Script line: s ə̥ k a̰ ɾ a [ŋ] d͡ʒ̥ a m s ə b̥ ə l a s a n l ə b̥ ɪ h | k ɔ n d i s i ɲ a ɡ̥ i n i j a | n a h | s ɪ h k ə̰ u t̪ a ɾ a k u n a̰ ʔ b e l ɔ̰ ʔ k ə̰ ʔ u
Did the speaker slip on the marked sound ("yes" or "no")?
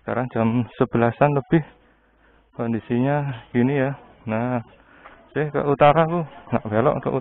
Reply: no